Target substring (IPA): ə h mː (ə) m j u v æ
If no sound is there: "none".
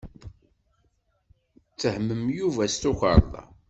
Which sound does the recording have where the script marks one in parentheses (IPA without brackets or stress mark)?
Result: ə